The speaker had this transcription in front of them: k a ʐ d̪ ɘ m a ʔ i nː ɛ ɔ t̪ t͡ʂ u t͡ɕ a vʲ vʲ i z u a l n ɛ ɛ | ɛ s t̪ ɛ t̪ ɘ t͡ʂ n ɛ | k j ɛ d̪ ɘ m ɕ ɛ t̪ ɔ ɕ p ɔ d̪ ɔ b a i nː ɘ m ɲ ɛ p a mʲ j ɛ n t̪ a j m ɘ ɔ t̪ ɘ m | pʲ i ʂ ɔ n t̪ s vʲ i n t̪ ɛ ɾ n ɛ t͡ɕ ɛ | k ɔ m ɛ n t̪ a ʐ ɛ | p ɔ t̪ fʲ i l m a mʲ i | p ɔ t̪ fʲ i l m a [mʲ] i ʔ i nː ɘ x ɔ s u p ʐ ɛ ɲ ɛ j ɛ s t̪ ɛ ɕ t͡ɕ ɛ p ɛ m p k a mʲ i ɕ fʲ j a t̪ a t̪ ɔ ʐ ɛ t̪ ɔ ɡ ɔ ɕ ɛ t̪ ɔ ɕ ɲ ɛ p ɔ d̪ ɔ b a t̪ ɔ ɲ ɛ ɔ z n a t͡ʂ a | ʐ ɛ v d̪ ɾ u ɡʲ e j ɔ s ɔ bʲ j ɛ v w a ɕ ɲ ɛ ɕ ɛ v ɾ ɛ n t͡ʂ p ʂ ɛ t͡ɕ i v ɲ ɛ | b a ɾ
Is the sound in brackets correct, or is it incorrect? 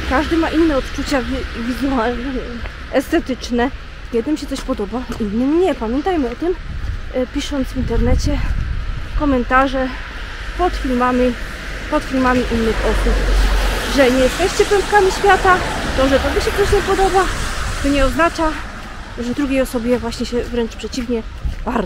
correct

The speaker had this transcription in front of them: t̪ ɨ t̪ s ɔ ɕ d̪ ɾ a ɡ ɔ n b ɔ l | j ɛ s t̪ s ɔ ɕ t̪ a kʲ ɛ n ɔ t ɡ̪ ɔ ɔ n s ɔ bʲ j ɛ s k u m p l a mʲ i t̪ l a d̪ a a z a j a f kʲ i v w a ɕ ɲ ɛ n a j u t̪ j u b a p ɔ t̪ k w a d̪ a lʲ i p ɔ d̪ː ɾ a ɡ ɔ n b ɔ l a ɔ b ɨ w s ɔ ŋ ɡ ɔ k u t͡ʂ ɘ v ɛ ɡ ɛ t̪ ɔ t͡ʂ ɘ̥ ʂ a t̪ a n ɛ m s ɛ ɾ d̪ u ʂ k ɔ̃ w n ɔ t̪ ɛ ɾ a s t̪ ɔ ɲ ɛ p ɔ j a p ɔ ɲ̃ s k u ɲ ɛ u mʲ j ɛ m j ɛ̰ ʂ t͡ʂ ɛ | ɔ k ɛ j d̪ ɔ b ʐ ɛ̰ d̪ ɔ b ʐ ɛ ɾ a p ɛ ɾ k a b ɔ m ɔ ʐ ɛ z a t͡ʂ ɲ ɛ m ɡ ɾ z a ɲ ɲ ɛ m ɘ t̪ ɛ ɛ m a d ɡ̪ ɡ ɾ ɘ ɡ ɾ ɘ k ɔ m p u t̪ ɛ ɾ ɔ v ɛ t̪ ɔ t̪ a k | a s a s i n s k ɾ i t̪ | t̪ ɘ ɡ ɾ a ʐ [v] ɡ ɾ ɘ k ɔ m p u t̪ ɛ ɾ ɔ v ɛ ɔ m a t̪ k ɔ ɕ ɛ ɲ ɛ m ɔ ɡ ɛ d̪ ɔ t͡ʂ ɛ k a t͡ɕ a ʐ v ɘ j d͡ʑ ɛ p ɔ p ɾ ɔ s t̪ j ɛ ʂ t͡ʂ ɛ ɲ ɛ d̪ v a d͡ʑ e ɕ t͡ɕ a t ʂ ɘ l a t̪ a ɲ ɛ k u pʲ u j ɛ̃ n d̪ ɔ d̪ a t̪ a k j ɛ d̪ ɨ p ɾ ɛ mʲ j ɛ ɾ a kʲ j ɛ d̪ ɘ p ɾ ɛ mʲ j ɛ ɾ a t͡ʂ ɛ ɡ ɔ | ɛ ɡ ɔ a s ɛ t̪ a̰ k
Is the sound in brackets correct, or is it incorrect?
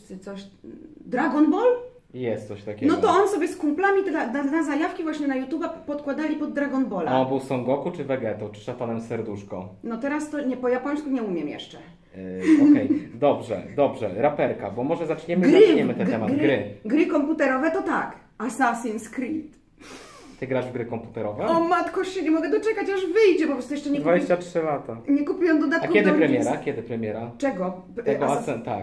correct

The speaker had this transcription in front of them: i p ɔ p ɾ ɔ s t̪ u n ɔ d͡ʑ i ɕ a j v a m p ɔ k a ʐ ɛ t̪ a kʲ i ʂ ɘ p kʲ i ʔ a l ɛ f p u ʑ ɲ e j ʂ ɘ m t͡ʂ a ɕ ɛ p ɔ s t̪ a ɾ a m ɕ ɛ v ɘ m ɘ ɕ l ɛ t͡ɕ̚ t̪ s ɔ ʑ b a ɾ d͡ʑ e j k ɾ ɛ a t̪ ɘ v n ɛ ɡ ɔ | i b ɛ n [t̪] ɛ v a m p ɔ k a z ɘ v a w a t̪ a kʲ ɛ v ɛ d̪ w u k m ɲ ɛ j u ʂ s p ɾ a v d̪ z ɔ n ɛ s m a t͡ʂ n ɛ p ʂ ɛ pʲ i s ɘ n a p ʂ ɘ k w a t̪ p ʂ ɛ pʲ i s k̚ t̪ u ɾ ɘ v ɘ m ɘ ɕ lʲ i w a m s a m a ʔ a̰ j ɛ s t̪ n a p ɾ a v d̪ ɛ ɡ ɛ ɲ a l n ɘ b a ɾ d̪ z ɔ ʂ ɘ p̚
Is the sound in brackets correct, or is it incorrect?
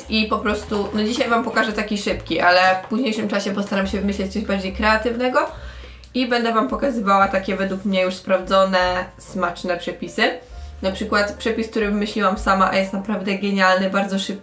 incorrect: d̪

